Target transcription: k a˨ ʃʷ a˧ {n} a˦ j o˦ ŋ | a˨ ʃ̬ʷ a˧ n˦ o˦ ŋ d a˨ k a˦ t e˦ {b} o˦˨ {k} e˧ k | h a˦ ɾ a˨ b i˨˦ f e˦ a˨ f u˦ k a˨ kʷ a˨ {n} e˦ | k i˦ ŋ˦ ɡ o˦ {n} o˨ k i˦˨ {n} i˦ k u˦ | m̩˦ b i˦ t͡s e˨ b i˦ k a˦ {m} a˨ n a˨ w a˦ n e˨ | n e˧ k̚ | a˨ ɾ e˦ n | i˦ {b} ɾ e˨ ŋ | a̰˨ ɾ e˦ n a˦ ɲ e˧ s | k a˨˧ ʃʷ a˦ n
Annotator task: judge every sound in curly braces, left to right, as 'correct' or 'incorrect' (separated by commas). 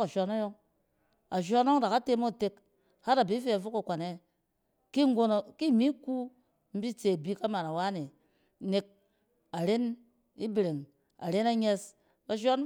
correct, incorrect, incorrect, correct, correct, incorrect, correct, correct